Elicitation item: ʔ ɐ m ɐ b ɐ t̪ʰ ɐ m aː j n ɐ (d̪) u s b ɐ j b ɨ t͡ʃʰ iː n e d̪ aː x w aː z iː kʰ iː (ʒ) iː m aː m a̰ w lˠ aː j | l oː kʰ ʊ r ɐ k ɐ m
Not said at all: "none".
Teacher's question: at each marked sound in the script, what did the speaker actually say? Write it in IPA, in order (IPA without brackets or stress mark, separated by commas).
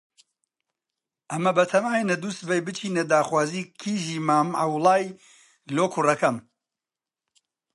d̪, ʒ